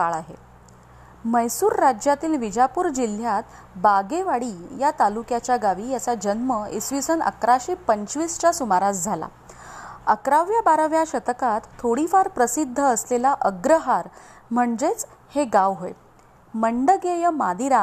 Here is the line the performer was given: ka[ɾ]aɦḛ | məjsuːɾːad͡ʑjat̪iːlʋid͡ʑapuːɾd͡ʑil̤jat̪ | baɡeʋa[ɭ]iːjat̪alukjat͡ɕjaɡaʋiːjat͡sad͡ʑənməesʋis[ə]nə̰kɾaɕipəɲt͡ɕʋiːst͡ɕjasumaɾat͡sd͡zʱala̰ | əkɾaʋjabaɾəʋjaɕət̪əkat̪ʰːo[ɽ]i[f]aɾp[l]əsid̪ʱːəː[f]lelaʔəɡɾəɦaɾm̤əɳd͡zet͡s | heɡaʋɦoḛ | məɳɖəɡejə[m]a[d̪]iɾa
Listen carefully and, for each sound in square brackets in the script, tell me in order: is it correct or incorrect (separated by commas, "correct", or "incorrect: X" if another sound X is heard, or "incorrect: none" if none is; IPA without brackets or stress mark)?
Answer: incorrect: ɭ, incorrect: ɽ, correct, correct, correct, incorrect: ɾ, incorrect: s, correct, correct